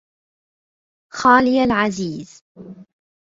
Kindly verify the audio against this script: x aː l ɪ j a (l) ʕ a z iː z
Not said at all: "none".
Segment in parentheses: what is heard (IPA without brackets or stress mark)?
l